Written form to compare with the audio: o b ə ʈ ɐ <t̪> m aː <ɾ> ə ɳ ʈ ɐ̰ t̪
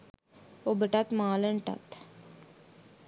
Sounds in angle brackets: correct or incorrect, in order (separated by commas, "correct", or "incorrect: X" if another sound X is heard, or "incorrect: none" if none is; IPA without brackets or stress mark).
correct, incorrect: l